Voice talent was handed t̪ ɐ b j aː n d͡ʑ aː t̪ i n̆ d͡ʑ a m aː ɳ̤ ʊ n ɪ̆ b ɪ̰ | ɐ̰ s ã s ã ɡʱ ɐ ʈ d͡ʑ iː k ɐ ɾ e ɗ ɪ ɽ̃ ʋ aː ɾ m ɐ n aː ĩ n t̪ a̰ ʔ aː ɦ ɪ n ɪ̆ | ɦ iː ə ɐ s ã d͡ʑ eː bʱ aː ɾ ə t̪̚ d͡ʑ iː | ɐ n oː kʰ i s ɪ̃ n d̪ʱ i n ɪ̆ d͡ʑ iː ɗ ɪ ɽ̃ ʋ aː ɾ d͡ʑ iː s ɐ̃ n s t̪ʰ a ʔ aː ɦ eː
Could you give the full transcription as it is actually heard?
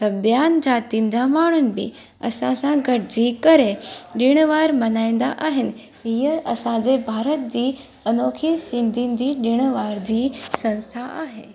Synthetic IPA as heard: t̪ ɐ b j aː n d͡ʑ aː t̪ i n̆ d͡ʑ a m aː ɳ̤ ʊ n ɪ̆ b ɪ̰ | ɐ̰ s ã s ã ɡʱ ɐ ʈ d͡ʑ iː k ɐ ɾ e ɗ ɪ ɽ̃ ʋ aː ɾ m ɐ n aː ĩ n d̪ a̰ ʔ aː ɦ ɪ n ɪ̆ | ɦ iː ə ɐ s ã d͡ʑ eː bʱ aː ɾ ə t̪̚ d͡ʑ iː | ɐ n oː kʰ i s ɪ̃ n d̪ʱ i n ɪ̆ d͡ʑ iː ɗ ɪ ɽ̃ ʋ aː ɾ d͡ʑ iː s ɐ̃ n s t̪ʰ a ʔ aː ɦ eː